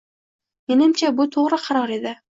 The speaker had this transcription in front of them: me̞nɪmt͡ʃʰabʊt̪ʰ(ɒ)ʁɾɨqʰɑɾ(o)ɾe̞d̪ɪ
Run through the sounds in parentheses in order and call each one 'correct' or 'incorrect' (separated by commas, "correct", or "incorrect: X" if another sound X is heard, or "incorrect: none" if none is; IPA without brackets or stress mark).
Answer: incorrect: o, incorrect: ɒ